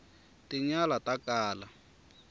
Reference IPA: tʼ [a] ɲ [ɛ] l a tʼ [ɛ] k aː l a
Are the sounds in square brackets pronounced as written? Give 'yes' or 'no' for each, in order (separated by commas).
no, no, no